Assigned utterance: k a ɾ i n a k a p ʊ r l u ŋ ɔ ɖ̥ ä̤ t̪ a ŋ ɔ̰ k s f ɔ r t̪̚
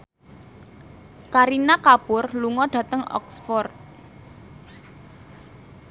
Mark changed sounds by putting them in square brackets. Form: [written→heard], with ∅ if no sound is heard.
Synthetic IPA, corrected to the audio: k a ɾ i n a k a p ʊ r l u ŋ ɔ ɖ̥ ä̤ t̪ [a→ə] ŋ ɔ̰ k s f ɔ r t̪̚